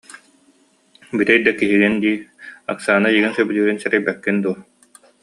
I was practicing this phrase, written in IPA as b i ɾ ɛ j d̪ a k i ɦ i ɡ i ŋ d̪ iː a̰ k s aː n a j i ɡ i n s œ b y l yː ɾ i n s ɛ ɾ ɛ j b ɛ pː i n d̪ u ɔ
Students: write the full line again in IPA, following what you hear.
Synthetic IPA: b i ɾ ɛ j d̪ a k i ɦ i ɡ i n d̪ iː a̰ k s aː n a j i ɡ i n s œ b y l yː ɾ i n s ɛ ɾ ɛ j b ɛ kː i n d̪ u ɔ